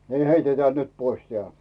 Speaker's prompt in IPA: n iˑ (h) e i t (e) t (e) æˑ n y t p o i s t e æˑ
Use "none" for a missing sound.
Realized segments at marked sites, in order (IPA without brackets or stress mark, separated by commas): h, e, e